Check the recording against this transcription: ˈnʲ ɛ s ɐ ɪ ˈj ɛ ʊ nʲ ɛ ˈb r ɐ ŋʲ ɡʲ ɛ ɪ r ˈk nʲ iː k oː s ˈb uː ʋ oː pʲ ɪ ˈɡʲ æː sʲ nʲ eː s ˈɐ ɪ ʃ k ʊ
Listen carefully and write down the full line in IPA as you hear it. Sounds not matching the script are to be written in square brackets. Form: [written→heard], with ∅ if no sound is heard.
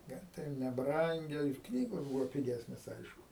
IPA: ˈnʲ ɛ [s→t] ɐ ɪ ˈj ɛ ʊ nʲ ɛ ˈb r ɐ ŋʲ ɡʲ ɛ ɪ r ˈk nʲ iː [k→ɡ] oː s ˈb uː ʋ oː pʲ ɪ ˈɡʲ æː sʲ nʲ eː s ˈɐ ɪ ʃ k ʊ